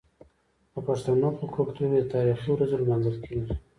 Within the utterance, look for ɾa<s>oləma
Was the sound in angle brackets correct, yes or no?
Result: no